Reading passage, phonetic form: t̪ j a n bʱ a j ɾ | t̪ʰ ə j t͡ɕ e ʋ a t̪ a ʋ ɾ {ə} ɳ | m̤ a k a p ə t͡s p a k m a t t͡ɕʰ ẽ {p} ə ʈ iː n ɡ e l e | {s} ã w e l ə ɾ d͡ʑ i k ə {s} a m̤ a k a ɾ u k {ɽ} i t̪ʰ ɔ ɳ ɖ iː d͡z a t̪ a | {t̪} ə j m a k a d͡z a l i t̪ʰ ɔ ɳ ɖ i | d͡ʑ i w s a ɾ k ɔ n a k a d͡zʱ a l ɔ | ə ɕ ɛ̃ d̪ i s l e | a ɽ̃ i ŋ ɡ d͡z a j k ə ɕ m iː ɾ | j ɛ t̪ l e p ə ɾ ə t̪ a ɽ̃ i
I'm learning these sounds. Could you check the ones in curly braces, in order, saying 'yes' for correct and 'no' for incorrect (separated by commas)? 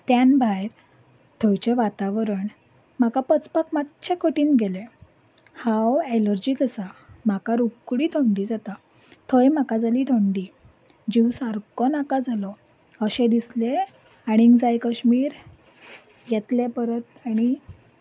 yes, no, no, yes, yes, no